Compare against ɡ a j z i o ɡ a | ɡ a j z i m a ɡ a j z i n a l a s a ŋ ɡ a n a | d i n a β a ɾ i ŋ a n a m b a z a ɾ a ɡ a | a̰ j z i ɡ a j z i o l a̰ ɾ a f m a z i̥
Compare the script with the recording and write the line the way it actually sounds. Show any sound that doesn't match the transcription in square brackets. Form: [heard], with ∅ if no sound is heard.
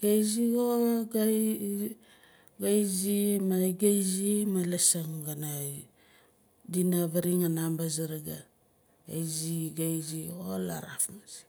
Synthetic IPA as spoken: ɡ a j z i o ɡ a | ɡ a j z i m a ɡ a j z i [m] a l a s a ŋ ɡ a n a | d i n a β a ɾ i ŋ a n a m b a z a ɾ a ɡ a | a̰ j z i ɡ a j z i o l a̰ ɾ a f m a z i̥